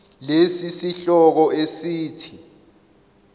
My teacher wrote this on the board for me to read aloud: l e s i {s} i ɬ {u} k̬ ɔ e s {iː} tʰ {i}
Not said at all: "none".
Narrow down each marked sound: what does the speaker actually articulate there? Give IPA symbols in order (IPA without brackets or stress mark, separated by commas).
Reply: s, ɔ, iː, i